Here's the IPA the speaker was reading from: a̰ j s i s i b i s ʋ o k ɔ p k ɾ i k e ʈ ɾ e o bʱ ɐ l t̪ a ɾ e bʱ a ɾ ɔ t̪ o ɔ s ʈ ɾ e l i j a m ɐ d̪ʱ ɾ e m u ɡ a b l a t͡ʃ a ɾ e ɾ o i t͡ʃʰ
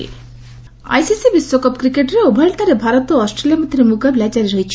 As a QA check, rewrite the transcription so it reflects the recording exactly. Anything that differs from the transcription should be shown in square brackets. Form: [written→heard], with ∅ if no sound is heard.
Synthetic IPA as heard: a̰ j s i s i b i s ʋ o k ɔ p k ɾ i k e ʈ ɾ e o bʱ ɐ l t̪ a ɾ e bʱ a ɾ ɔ t̪ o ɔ s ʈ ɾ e l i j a m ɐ d̪ʱ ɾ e m u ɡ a b l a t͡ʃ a ɾ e ɾ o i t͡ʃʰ